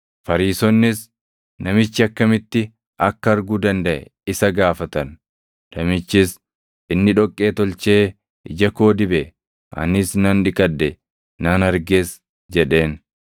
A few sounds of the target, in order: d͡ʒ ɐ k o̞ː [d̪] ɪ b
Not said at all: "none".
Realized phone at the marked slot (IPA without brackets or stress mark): d̪